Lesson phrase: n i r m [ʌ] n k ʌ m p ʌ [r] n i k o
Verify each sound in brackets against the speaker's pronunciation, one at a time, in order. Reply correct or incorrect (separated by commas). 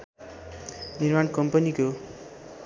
incorrect, incorrect